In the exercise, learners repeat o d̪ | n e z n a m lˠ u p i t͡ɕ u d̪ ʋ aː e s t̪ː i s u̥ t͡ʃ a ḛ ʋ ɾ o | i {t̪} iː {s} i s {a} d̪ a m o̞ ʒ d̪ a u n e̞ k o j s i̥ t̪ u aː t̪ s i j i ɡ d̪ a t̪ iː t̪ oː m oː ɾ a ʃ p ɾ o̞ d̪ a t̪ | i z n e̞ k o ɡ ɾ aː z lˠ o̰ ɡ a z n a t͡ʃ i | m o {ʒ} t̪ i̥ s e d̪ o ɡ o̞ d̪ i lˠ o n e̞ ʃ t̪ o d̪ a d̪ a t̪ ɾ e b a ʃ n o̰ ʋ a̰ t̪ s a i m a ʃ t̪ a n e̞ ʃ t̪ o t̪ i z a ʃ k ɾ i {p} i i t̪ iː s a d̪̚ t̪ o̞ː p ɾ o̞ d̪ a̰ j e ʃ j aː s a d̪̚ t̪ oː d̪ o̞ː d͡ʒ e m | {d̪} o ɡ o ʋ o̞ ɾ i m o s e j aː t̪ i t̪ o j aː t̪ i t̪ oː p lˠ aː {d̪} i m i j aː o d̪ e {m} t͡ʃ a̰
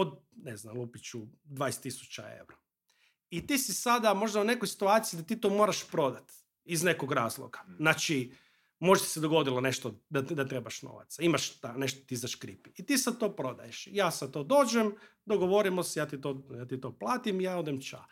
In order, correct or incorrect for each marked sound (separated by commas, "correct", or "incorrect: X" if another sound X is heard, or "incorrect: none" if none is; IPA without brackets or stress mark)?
correct, correct, correct, correct, correct, correct, incorrect: t̪, correct